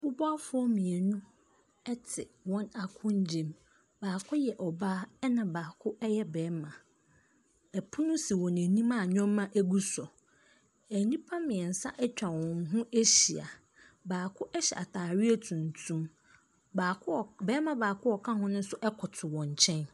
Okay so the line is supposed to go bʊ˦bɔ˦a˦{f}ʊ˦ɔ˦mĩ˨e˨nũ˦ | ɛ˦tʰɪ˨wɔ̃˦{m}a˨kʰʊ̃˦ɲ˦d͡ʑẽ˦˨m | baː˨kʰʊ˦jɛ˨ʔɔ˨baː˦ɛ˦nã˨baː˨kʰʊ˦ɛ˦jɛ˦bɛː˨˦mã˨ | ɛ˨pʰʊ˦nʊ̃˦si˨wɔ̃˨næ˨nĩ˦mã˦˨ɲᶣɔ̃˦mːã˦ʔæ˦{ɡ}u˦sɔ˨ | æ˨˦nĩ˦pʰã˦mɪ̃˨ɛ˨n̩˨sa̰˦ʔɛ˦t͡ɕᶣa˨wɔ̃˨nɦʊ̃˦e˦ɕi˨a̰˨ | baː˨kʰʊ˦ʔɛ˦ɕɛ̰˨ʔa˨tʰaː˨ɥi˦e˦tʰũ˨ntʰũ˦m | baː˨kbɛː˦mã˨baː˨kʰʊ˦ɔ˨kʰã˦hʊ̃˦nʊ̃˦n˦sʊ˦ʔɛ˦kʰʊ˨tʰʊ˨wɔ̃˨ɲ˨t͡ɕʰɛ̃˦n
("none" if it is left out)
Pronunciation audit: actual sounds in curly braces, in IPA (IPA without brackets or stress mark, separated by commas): f, n, ɡ